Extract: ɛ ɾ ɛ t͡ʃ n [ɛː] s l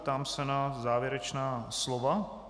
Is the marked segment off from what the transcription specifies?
yes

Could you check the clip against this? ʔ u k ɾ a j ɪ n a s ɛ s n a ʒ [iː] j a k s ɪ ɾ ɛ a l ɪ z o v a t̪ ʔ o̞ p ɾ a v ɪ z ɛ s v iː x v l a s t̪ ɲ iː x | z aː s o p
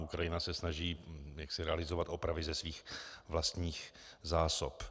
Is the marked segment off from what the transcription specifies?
no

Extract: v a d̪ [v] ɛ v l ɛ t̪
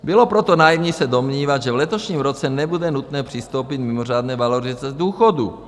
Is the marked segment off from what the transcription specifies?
yes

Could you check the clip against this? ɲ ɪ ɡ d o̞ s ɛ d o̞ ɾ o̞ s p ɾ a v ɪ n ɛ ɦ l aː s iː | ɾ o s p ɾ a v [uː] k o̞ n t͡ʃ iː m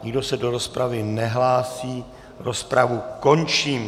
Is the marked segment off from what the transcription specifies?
yes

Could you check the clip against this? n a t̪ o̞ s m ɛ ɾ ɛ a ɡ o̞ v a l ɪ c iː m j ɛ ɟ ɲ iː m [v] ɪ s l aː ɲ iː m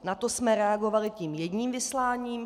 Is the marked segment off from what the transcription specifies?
no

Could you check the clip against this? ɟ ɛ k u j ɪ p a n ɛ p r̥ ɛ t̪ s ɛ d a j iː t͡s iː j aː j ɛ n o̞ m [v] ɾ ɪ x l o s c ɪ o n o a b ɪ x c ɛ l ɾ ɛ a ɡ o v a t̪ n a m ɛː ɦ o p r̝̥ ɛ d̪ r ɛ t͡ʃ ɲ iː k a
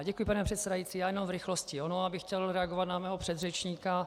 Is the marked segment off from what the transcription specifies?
no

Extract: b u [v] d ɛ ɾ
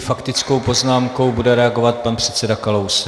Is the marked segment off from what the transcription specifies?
yes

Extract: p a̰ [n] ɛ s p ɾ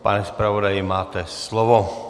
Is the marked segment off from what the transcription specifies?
no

